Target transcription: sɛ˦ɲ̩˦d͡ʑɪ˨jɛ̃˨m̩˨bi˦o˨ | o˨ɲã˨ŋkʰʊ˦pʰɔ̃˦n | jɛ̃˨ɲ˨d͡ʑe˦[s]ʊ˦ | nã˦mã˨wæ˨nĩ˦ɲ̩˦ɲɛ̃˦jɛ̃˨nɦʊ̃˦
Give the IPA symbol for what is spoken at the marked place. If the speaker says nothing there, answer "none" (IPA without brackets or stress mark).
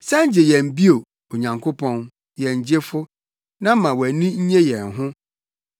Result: f